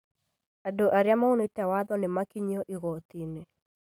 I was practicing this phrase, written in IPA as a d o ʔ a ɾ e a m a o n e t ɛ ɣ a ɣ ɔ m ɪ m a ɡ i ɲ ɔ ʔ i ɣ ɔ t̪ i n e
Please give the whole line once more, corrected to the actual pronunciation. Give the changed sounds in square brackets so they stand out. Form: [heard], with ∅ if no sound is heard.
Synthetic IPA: a d o ʔ a ɾ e a m a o n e t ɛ [w] a [ð] ɔ [n] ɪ m a [k] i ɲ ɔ ʔ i ɣ ɔ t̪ i n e

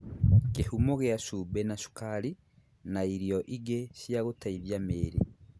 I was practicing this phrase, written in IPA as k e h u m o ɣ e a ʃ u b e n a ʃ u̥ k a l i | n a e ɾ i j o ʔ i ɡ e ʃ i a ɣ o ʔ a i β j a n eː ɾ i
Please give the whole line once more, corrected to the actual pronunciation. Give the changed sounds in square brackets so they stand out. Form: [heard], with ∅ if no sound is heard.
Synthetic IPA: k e h u m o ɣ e a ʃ u b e n a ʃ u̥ k a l i | n a [i] ɾ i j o ʔ i ɡ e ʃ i a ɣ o [t] a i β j a [m] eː ɾ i

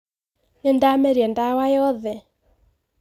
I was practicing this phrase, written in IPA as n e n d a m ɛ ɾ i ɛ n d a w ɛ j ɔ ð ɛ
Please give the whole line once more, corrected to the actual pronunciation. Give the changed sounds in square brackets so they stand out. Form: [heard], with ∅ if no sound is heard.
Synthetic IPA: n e n d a m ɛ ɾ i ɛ n d a w [a] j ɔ ð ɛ

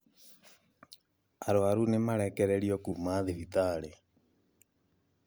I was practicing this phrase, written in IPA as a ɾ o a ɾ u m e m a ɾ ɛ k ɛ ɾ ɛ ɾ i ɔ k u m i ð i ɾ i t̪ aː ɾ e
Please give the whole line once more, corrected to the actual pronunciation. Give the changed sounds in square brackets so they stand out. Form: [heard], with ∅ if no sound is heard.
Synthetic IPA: a ɾ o a ɾ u [n] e m a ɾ ɛ k ɛ ɾ ɛ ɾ i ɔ k u m [a] ð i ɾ i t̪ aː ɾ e

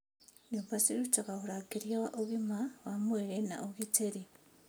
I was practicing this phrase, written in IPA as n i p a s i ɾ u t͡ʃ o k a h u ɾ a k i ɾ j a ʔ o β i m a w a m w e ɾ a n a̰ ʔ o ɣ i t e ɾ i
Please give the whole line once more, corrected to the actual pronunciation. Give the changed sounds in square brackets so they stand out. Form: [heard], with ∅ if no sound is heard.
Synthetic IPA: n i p a s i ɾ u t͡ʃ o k a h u ɾ a k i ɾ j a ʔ o β i m a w a m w e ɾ [e] n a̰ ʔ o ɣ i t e ɾ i

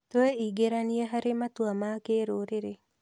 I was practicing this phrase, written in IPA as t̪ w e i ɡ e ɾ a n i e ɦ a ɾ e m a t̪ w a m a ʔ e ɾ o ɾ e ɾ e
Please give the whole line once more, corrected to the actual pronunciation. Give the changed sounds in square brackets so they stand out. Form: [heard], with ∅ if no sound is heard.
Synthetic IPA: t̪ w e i ɡ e ɾ a n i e ɦ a ɾ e m a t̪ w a m a [k] e ɾ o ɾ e ɾ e

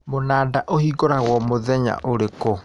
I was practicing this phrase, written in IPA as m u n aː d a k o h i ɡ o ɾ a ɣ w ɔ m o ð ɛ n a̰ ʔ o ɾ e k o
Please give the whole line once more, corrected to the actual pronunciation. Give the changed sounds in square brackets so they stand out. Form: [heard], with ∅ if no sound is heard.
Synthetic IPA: m [o] n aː d a [ʔ] o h i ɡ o ɾ a ɣ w ɔ m o ð ɛ [ɲ] a̰ ʔ o ɾ e k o

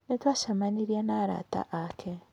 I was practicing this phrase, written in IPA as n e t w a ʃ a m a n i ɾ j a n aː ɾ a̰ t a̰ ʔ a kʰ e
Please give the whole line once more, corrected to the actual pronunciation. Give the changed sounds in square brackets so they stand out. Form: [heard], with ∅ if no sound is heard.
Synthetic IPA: n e t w a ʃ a m a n i ɾ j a n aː ɾ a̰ t a̰ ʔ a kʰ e

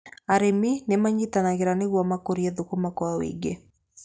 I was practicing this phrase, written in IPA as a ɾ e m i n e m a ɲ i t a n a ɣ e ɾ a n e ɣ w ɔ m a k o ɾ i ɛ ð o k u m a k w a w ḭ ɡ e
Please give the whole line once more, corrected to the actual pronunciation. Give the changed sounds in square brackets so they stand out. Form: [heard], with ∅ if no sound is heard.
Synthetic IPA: a ɾ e m i n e m a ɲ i t a n a ɣ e ɾ a n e ɣ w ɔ m a k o ɾ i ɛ ð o k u m a k w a w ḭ ɡ e

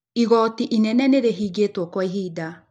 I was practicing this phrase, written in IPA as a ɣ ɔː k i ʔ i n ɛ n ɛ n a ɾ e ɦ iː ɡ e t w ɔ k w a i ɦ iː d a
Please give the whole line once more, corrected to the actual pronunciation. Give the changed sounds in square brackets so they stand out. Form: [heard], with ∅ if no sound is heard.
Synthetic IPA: [i] ɣ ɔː [t] i ʔ i n ɛ n ɛ n [e] ɾ e ɦ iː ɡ e t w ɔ k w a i ɦ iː d a

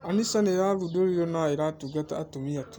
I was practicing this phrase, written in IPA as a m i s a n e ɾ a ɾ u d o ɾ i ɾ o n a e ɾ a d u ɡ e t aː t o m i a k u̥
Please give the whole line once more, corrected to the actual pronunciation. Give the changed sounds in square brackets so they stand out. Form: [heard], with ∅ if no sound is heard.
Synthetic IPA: a [n] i s a n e ɾ a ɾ u d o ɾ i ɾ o n a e ɾ a [t] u ɡ [a] t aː t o m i a [t] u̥

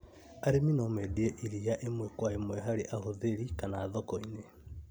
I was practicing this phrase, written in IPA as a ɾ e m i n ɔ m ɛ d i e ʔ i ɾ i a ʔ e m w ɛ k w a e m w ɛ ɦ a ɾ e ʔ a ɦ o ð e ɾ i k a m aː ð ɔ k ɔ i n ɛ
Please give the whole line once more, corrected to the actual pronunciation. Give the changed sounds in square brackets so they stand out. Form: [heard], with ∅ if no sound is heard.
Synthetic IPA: a ɾ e m i n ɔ m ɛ d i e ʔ i ɾ i a ʔ e m w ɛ k w a e m w ɛ ɦ a ɾ e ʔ a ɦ o ð e ɾ i k a [n] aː ð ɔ k ɔ i n [e]

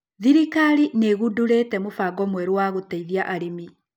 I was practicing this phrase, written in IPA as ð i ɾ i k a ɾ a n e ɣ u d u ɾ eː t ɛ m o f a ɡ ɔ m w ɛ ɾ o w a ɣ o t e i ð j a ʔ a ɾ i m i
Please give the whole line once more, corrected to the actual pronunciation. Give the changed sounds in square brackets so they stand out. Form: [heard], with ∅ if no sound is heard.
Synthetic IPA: ð i ɾ i k a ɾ [i] n e ɣ u d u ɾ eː t ɛ m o f a ɡ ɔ m w ɛ ɾ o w a ɣ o t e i ð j a ʔ a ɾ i m i

